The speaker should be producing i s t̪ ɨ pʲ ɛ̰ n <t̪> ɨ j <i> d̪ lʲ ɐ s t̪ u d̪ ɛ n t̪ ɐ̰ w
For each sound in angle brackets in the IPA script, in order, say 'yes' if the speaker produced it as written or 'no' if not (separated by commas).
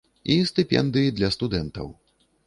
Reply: no, yes